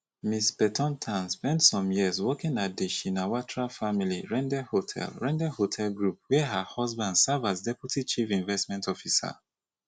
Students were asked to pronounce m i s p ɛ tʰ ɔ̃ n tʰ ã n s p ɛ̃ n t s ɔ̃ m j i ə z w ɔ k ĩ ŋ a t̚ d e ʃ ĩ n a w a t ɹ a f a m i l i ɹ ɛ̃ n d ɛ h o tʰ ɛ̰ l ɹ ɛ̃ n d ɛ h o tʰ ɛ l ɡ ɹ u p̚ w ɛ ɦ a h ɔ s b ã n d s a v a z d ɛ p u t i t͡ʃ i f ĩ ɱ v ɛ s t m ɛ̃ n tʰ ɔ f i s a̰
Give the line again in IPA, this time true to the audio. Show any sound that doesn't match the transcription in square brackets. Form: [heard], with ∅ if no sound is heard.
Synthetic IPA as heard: m i s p ɛ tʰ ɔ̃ n tʰ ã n s p ɛ̃ n t s ɔ̃ m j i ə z w ɔ k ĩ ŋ a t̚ d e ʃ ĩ n a w a t ɹ a f a m i l i ɹ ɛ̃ n d ɛ h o tʰ ɛ̰ l ɹ ɛ̃ n d ɛ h o tʰ ɛ l ɡ ɹ u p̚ w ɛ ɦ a h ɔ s b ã n d s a v a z d ɛ p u t i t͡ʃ i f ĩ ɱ v ɛ s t m ɛ̃ n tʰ ɔ f i s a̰